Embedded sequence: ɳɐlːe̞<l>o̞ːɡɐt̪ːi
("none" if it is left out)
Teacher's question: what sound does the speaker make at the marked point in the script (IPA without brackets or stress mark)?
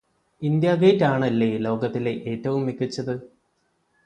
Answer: l